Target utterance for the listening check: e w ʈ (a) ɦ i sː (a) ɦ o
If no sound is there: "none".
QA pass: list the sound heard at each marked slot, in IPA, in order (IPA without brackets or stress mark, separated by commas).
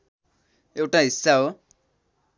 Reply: a, a